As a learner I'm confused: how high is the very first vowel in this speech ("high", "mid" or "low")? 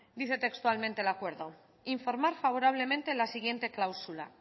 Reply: high